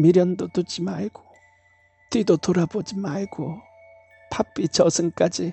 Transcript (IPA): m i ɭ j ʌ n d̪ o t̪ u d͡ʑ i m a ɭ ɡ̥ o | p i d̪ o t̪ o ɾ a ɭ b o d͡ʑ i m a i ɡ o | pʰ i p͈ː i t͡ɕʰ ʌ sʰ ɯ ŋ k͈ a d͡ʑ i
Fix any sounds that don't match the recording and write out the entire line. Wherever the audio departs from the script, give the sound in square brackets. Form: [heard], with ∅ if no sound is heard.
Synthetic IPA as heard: m i [ɾ] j ʌ n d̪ o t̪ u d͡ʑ i m a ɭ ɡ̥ o | [t] i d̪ o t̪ o ɾ a [∅] b o d͡ʑ i m a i ɡ o | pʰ [a] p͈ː i [t͡ɕ] ʌ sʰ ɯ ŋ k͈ a d͡ʑ i